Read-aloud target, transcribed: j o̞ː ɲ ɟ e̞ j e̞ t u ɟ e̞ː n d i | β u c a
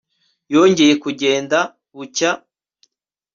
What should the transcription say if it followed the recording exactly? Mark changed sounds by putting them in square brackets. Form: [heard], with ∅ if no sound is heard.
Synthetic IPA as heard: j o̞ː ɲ ɟ e̞ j e̞ [k] u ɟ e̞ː n d [a] | β u c a